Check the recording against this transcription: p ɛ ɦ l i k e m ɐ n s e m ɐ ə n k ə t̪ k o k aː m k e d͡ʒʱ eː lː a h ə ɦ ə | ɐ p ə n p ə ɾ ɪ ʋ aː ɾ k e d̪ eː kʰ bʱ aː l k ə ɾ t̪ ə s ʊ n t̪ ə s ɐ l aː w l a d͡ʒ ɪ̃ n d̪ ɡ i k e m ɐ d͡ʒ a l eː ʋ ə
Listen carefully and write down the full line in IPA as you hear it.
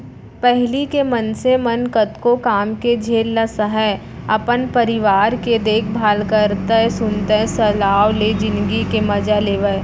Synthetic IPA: p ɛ ɦ l i k e m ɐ n s e m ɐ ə n k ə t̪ k o k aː m k e d͡ʒʱ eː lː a s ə ɦ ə | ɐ p ə n p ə ɾ ɪ ʋ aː ɾ k e d̪ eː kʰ bʱ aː l k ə ɾ t̪ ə s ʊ n t̪ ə s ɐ l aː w l e d͡ʒ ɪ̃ n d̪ ɡ i k e m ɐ d͡ʒ a l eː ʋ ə